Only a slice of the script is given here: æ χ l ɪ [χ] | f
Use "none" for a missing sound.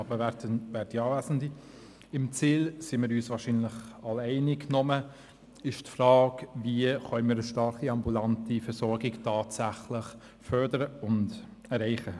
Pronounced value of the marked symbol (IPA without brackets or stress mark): χ